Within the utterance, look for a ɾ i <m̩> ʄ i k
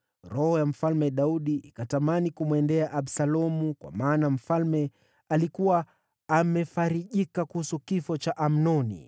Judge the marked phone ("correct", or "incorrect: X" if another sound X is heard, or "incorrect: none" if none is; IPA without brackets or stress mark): incorrect: none